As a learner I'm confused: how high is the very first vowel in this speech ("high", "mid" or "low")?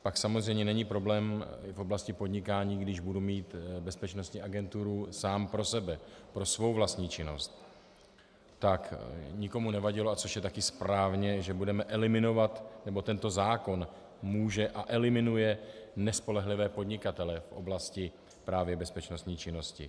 low